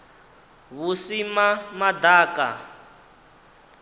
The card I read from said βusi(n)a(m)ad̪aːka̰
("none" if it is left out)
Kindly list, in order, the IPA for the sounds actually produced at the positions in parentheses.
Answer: m, m

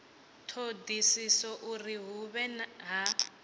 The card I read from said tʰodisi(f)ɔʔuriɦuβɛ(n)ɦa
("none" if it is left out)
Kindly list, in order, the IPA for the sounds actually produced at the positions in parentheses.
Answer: s, n

